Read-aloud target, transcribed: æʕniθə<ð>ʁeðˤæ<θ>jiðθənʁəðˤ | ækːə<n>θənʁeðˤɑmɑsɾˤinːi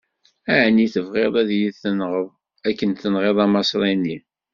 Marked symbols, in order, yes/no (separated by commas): no, no, yes